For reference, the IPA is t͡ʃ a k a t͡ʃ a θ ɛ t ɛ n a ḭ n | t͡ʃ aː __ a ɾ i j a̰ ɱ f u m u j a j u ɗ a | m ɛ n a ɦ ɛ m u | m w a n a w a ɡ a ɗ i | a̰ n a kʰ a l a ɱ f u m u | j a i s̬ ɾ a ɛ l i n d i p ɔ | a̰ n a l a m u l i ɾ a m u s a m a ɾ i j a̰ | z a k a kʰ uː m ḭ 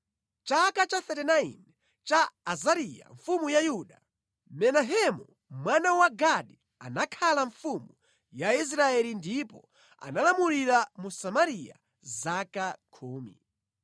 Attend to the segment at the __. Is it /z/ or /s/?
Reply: z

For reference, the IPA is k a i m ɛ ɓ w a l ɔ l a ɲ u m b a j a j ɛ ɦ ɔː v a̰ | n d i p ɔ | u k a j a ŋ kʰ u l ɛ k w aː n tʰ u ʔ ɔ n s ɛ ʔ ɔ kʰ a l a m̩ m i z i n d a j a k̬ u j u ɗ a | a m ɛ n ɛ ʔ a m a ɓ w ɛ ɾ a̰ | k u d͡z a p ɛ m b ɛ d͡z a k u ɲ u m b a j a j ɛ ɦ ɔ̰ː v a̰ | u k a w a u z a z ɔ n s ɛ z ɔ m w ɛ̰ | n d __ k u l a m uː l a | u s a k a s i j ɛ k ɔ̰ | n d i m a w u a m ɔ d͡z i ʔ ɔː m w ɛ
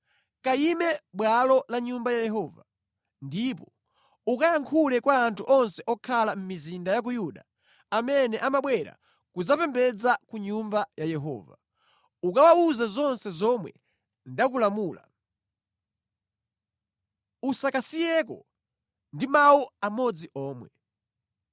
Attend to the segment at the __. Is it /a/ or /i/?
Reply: a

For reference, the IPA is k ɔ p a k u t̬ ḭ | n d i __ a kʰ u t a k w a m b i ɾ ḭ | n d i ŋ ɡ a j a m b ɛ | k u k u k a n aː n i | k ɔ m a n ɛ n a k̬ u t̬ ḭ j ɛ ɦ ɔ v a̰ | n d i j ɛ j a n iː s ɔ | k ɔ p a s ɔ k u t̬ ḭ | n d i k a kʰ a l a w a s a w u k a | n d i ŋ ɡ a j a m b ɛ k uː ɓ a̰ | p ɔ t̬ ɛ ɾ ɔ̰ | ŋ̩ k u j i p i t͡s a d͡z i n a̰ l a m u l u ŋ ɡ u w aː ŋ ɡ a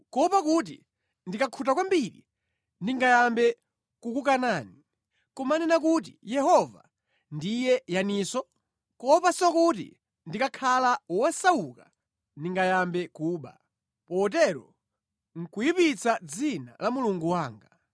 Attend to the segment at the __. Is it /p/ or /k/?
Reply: k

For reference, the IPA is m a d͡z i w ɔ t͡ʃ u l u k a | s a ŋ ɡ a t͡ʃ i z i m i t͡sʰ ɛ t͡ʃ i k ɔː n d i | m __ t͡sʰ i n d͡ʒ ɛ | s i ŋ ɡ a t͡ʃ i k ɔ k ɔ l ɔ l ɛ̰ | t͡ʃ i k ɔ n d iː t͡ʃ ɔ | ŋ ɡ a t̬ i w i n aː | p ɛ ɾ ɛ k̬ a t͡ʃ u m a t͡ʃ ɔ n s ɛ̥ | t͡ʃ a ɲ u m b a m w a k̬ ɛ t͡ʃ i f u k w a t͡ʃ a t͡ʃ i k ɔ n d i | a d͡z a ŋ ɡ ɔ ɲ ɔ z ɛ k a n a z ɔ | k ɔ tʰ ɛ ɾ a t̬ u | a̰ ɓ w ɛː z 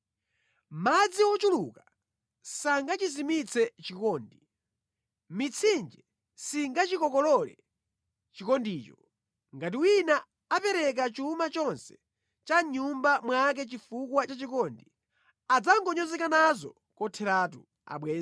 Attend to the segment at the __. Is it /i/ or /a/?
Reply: i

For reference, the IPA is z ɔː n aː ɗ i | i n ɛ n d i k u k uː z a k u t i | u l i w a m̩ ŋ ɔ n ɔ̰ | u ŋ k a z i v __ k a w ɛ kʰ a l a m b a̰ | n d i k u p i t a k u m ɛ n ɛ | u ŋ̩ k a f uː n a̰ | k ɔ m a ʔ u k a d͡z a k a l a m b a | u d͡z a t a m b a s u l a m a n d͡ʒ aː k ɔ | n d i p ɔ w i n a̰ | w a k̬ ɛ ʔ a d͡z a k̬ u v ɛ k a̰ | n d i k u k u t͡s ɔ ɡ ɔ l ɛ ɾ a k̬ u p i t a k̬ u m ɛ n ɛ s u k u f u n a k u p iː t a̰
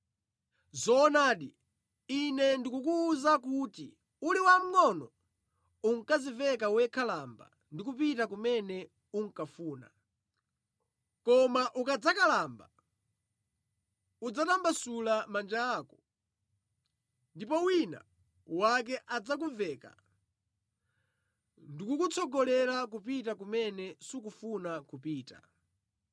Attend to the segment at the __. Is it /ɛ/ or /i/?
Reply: ɛ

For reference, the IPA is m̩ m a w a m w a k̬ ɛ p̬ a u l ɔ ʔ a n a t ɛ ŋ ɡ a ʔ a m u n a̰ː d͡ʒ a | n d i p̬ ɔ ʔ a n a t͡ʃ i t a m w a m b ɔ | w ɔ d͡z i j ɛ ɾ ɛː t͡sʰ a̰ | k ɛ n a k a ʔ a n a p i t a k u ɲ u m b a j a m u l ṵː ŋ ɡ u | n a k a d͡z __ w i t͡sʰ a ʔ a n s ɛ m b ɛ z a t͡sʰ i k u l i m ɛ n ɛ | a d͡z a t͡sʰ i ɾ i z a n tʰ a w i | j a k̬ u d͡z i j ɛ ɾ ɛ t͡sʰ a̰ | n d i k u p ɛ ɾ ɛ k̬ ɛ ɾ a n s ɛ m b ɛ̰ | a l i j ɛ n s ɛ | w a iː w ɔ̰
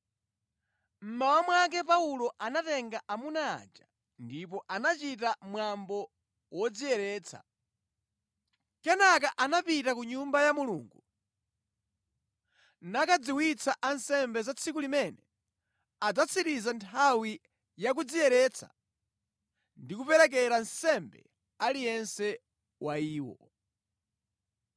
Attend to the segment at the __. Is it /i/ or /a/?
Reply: i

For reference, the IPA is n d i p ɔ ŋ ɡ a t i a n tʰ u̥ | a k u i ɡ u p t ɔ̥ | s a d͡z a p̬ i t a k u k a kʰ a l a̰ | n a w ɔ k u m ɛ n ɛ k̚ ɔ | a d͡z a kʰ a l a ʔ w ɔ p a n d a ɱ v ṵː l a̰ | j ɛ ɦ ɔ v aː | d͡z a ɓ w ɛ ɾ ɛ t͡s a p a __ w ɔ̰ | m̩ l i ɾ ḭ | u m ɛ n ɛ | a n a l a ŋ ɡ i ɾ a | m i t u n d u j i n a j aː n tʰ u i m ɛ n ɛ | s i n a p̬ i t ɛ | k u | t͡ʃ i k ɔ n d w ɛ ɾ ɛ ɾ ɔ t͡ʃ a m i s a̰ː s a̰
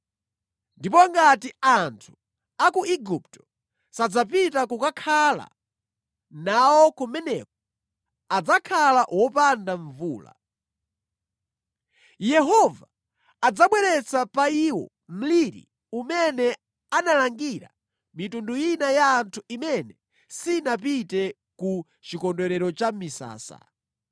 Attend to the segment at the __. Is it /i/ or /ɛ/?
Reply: i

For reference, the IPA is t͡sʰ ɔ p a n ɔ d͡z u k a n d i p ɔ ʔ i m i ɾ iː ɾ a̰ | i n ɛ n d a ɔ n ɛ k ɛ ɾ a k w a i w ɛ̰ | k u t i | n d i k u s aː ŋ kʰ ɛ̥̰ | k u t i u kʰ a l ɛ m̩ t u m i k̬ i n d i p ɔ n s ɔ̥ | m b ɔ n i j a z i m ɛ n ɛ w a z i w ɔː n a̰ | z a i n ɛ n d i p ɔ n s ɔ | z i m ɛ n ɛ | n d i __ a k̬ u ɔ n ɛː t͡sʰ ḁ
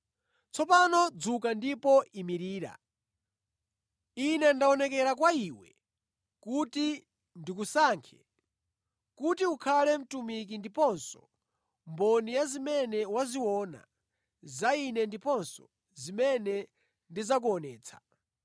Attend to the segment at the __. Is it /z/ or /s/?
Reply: z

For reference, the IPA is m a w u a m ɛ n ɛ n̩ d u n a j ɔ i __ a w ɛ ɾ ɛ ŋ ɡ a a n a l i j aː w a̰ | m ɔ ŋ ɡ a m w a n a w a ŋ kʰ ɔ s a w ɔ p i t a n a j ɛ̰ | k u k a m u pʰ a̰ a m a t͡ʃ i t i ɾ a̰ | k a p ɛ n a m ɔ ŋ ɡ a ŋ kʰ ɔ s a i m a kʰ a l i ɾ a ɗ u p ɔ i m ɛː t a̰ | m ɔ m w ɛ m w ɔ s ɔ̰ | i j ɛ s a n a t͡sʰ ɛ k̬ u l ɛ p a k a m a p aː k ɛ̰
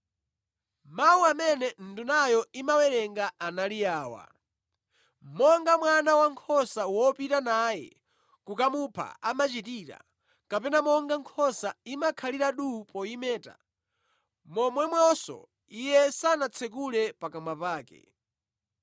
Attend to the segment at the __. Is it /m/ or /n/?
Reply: m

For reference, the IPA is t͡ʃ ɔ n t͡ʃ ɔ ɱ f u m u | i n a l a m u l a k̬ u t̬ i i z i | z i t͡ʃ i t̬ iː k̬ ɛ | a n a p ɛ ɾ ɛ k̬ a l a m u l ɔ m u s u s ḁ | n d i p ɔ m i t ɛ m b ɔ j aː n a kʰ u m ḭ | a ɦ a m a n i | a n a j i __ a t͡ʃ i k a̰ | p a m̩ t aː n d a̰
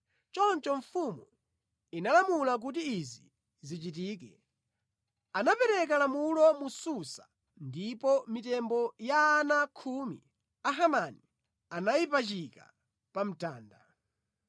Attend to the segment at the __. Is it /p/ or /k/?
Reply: p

